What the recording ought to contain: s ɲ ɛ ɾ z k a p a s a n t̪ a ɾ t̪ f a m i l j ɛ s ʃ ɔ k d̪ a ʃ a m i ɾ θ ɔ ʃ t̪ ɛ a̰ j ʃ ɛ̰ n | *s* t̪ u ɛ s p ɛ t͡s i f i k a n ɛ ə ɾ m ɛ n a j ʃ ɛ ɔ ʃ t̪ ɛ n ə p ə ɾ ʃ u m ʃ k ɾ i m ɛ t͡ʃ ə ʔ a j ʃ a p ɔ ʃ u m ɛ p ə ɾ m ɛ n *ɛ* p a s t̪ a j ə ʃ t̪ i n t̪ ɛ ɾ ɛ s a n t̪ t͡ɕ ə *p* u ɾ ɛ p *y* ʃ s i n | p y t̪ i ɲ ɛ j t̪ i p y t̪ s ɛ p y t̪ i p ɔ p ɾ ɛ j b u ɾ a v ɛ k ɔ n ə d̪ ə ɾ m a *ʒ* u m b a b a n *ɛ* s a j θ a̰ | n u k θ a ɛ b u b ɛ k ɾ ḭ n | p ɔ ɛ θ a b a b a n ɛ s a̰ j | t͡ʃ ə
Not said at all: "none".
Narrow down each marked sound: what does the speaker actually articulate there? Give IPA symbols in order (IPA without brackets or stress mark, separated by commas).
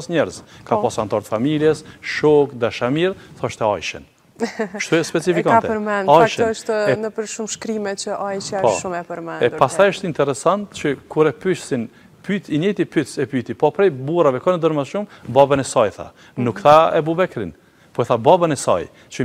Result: ʃ, ɛ, k, y, ʃ, ɛ